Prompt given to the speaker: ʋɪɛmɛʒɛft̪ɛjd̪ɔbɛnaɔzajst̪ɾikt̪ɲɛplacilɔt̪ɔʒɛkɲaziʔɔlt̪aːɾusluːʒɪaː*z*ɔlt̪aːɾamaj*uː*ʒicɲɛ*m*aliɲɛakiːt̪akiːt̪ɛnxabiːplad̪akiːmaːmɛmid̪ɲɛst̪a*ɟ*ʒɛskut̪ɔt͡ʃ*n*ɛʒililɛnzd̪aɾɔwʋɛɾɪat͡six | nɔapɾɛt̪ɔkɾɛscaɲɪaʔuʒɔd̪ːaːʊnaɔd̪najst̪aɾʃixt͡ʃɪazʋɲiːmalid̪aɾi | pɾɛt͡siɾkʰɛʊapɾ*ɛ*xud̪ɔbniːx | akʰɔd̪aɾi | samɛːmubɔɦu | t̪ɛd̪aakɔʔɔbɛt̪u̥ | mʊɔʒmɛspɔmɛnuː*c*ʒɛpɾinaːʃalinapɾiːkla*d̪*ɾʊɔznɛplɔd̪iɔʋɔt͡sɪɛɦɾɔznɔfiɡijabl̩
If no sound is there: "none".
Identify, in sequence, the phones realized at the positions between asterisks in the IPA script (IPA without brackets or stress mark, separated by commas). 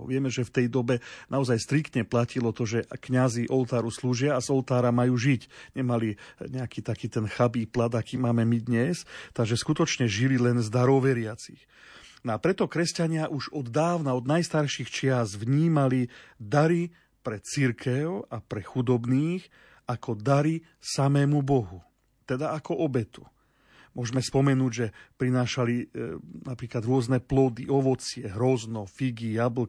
z, uː, m, ɡ, ɲ, ɛ, ɟ, d̪